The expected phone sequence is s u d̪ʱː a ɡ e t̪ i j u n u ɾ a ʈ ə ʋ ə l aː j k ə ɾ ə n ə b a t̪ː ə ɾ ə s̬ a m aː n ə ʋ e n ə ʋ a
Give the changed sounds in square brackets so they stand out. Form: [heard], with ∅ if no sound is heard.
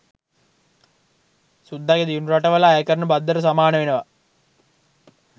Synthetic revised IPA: s u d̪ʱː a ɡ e [d̪] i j u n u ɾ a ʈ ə ʋ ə l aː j k ə ɾ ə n ə b a [d̪ː] ə ɾ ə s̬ a m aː n ə ʋ e n ə ʋ a